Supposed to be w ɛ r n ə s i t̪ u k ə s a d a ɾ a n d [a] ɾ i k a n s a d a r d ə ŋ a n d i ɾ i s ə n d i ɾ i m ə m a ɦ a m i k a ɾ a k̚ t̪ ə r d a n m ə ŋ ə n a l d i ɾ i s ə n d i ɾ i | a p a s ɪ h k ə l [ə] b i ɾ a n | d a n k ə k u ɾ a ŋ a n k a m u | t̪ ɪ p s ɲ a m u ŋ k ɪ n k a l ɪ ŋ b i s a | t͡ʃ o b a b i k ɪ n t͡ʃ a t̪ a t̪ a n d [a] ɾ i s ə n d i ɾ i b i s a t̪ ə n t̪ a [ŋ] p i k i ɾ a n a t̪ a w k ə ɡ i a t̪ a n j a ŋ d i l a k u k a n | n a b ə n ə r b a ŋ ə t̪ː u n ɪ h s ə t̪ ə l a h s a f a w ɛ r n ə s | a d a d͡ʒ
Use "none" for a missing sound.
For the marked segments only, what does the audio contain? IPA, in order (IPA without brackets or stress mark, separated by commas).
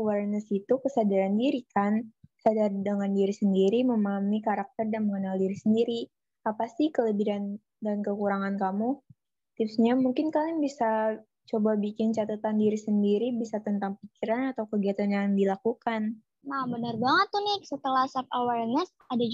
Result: i, ə, i, ŋ